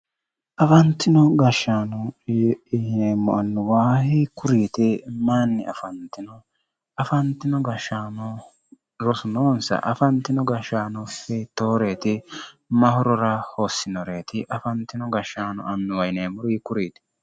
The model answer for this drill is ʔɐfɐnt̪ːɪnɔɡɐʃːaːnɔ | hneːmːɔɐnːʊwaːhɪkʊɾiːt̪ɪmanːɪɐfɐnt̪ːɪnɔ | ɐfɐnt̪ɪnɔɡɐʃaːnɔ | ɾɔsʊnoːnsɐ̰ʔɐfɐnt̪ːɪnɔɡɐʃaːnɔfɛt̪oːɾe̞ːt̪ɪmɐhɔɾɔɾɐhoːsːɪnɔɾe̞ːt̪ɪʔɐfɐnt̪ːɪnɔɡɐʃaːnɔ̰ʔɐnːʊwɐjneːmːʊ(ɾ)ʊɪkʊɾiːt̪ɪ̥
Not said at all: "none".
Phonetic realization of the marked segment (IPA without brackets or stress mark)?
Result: ɾ